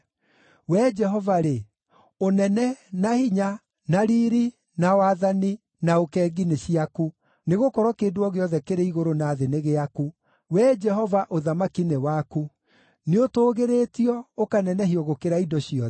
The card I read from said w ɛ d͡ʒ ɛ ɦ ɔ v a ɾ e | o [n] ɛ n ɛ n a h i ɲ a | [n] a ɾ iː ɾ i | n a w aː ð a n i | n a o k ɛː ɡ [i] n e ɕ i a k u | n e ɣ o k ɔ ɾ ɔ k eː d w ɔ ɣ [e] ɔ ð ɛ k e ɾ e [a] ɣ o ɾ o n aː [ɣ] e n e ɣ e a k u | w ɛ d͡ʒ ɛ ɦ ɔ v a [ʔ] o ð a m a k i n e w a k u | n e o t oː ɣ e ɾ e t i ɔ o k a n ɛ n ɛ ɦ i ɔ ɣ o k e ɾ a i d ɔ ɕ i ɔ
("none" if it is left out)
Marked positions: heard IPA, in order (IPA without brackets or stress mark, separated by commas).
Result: n, n, i, e, i, ð, ʔ